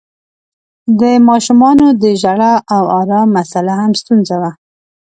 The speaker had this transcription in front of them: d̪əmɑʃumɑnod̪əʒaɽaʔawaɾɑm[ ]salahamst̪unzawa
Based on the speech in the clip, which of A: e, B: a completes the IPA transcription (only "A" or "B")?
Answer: B